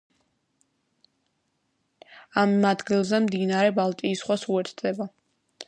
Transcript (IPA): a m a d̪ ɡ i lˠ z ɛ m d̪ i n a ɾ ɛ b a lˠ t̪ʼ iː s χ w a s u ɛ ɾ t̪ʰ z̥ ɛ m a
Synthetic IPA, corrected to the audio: a m a d̪ ɡ i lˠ z ɛ m d̪ i n a ɾ ɛ b a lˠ t̪ʼ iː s χ w a s u ɛ ɾ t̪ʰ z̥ ɛ b a